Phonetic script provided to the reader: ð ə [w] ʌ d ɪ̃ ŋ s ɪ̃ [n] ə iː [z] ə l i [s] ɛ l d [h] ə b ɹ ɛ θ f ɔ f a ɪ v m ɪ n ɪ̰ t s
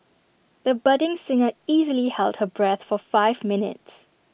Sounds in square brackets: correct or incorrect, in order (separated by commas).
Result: incorrect, incorrect, correct, incorrect, correct